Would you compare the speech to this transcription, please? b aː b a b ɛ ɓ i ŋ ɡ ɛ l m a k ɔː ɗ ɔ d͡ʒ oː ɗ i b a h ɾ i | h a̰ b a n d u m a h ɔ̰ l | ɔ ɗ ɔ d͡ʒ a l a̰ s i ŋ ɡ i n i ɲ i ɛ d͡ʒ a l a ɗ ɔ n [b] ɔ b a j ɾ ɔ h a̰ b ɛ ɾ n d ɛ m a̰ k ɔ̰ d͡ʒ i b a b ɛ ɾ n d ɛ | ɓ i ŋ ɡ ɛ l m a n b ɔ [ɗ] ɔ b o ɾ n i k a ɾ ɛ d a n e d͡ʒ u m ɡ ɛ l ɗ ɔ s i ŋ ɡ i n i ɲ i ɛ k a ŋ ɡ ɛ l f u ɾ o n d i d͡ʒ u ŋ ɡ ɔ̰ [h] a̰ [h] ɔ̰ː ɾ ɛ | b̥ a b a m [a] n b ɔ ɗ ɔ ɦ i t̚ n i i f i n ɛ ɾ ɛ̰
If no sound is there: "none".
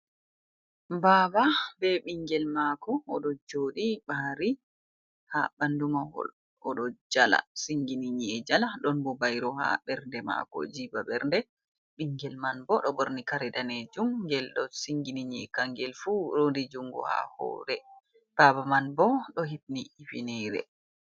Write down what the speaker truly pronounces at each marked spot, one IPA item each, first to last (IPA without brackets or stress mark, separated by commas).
b, ɗ, h, h, a